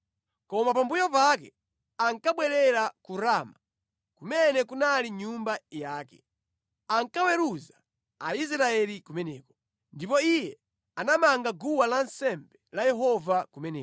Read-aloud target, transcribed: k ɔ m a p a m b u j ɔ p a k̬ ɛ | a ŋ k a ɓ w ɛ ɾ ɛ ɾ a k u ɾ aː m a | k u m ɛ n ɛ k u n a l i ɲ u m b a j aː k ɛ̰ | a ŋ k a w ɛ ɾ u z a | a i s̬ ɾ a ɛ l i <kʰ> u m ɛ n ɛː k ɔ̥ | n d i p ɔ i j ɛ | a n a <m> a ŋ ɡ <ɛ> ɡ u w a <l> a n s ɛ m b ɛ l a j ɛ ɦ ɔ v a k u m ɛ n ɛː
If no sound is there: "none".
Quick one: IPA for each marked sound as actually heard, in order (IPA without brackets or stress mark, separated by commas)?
k, m, a, l